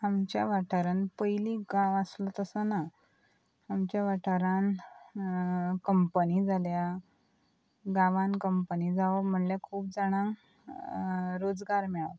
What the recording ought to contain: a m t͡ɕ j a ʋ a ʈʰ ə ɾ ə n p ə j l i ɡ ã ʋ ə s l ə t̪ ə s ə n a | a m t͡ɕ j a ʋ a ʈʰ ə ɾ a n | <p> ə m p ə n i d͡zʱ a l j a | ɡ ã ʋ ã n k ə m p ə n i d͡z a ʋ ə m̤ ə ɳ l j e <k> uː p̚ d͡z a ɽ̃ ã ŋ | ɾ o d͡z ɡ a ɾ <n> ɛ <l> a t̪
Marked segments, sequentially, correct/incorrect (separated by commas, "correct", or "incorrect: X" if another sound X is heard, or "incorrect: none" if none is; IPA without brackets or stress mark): incorrect: k, incorrect: kʰ, incorrect: m, incorrect: ɭ